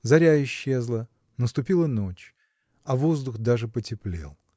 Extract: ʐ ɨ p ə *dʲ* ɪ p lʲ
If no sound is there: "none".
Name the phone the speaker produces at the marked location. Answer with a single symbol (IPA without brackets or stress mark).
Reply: tʲ